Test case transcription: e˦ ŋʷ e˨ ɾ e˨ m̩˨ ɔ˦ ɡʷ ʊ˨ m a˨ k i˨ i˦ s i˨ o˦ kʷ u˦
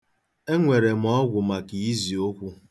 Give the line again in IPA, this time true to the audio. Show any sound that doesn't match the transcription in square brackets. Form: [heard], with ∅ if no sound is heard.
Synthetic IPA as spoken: e˦ ŋʷ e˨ ɾ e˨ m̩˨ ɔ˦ ɡʷ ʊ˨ m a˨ k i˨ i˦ [z] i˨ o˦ kʷ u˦